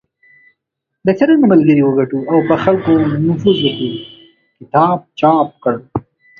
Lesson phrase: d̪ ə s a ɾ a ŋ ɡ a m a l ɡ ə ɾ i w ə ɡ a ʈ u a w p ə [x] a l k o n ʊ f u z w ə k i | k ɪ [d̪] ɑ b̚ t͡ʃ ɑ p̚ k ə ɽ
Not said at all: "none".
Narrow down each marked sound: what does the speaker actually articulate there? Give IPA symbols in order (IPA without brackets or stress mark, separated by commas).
x, t̪